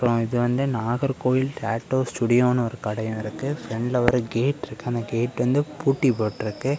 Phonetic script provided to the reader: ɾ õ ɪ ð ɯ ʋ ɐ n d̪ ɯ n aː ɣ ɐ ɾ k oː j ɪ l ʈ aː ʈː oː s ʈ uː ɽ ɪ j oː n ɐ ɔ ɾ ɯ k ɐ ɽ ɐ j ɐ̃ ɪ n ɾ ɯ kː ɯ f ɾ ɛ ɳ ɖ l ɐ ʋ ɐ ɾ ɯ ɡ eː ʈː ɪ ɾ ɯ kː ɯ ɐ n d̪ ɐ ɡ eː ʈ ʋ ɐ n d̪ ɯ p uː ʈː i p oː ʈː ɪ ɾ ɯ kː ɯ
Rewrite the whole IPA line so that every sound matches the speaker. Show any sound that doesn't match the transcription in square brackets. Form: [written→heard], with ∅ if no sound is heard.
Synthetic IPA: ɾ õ ɪ ð ɯ ʋ ɐ n d̪ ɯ n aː ɣ ɐ ɾ k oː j ɪ l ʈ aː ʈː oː s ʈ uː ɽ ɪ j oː n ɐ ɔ ɾ ɯ k ɐ ɽ ɐ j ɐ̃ ɪ [n→∅] ɾ ɯ kː ɯ f ɾ ɛ ɳ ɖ l ɐ ʋ ɐ ɾ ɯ ɡ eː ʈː ɪ ɾ ɯ kː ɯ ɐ n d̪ ɐ ɡ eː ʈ ʋ ɐ n d̪ ɯ p uː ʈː i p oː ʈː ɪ ɾ ɯ kː ɯ